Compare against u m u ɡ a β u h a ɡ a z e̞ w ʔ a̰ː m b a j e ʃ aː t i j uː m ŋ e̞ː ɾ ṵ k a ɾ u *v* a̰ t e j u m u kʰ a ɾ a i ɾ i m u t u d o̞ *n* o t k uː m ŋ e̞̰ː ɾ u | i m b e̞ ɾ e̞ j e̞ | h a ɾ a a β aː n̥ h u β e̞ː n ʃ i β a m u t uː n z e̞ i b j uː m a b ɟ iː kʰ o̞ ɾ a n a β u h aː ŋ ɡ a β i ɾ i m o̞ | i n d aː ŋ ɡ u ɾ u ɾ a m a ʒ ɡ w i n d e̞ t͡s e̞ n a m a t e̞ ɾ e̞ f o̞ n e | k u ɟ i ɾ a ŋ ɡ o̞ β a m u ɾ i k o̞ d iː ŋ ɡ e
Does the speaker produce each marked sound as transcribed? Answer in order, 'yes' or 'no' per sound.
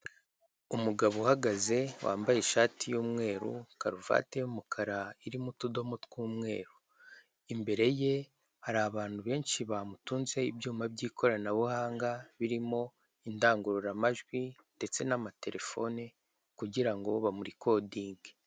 yes, no

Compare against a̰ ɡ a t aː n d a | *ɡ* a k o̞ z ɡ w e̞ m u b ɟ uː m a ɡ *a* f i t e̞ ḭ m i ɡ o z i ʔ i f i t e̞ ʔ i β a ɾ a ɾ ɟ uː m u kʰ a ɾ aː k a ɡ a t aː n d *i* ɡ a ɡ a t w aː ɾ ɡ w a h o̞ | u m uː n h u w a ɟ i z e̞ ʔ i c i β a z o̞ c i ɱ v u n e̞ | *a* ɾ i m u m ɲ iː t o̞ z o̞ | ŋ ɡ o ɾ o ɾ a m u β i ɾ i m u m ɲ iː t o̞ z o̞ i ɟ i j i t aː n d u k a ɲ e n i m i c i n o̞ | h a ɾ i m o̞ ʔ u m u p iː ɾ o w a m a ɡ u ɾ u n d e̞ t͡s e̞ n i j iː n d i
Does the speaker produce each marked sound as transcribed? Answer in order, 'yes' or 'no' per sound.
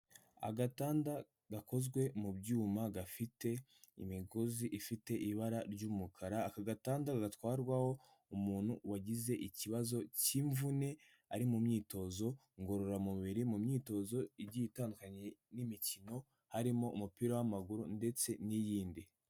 yes, yes, no, yes

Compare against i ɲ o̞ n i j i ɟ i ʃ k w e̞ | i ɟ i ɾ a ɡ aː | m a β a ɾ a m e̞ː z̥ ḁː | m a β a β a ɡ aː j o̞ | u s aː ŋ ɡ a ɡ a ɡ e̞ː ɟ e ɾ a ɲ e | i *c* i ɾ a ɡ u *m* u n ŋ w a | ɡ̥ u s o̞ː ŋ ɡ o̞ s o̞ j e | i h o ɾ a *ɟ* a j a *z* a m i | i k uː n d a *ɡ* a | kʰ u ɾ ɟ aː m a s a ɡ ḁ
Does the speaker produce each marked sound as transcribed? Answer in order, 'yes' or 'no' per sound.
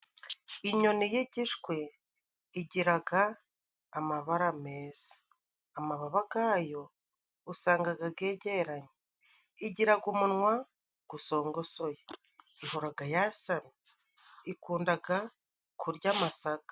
no, yes, no, no, yes

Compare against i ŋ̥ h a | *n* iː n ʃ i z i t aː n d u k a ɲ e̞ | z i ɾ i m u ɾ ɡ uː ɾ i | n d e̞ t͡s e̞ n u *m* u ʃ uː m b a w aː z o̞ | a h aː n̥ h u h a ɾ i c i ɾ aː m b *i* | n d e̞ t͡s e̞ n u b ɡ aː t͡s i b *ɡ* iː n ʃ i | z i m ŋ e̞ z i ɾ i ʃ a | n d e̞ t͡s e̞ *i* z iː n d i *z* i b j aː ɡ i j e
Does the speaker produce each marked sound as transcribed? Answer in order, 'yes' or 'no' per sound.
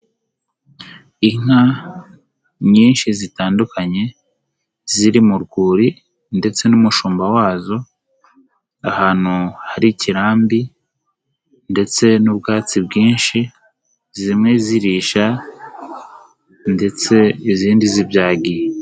no, yes, yes, yes, yes, yes

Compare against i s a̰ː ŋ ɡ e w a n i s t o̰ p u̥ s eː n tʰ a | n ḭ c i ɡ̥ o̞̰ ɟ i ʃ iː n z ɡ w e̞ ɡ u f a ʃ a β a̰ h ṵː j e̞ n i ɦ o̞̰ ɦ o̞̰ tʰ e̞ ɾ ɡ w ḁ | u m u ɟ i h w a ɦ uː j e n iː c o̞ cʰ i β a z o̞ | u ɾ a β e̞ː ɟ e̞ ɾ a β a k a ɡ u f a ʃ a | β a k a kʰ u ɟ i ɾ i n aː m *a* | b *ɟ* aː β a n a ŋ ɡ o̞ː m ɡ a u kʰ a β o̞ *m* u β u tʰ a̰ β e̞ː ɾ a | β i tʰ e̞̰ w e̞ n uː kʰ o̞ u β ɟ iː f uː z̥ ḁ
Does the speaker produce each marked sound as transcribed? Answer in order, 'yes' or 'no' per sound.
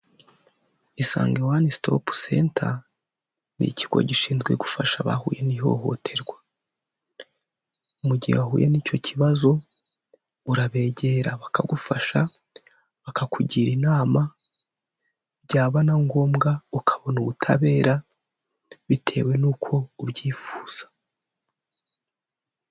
yes, yes, no

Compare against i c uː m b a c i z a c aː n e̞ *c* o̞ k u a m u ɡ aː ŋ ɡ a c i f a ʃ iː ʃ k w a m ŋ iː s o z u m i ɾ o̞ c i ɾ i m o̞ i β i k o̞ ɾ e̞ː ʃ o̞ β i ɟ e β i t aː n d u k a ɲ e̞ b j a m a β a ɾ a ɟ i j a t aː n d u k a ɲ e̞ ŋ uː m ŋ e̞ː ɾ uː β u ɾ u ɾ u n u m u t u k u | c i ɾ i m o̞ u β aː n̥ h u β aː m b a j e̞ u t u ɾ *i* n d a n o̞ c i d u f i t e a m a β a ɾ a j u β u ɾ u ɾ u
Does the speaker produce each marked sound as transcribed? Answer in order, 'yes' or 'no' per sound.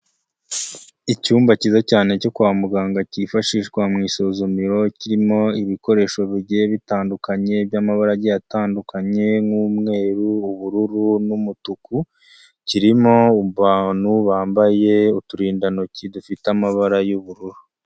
yes, no

